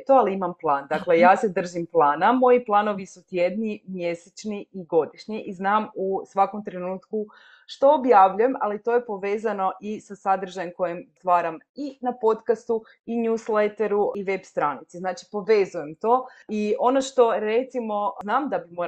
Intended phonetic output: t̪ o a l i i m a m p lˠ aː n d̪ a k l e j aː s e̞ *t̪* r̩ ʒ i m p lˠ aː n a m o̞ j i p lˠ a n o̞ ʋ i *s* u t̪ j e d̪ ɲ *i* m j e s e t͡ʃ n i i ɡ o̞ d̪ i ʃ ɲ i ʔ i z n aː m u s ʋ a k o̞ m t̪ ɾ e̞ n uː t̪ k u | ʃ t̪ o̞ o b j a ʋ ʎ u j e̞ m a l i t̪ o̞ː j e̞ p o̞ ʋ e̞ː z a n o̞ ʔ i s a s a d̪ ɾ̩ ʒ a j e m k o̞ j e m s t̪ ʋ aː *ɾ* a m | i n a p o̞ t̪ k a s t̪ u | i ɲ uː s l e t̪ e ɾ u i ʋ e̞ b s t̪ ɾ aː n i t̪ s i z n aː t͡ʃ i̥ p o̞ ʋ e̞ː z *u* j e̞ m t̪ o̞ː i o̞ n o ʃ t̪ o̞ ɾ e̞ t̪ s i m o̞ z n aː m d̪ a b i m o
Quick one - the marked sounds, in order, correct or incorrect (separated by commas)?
incorrect, correct, correct, correct, correct